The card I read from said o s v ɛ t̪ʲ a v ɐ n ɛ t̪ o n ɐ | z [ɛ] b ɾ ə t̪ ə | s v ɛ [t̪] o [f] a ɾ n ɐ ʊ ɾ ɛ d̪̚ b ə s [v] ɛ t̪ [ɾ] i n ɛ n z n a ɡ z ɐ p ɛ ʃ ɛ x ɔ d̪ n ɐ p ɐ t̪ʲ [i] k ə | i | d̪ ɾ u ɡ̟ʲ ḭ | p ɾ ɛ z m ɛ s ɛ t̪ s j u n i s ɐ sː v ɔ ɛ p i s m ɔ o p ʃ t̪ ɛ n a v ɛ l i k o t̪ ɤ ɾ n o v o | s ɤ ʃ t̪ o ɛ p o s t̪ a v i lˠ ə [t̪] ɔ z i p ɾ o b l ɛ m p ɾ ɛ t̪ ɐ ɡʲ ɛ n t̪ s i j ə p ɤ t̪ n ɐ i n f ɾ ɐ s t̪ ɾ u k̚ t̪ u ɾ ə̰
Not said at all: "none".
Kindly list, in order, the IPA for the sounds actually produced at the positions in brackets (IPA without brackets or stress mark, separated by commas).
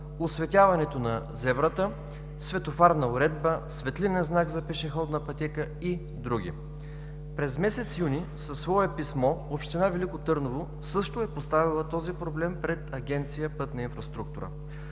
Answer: ɛ, t̪, f, v, l, ɛ, t̪